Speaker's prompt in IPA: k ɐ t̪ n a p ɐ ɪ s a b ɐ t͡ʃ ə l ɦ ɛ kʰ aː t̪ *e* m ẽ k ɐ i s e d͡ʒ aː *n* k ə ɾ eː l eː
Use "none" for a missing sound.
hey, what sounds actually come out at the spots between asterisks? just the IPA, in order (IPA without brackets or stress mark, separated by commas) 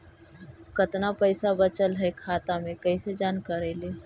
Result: a, n